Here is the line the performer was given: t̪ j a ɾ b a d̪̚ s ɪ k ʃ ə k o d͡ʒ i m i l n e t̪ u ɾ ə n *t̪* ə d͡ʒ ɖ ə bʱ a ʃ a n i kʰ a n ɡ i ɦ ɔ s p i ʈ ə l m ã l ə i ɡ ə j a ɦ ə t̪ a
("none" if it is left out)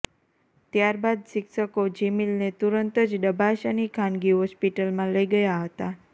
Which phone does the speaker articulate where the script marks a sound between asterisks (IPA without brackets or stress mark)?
t̪